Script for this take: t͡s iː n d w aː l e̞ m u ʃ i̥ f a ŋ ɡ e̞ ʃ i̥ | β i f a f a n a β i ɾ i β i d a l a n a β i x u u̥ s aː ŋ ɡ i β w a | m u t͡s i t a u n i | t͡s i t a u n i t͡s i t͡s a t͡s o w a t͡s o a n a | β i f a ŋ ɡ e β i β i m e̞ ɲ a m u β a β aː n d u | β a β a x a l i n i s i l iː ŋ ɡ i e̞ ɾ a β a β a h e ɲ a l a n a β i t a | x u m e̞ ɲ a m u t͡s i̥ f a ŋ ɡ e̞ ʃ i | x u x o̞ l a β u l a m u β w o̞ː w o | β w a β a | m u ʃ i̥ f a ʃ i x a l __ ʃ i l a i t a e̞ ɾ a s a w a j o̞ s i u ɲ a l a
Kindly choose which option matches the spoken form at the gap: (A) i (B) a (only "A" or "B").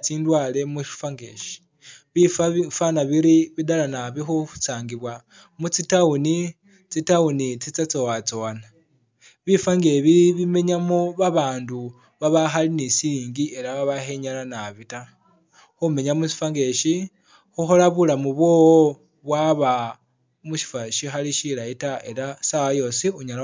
A